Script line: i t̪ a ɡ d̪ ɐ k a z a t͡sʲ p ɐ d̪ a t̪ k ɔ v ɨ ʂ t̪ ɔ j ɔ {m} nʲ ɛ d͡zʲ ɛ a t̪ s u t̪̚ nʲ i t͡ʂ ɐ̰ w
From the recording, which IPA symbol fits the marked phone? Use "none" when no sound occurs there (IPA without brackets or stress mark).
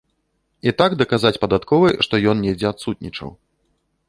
n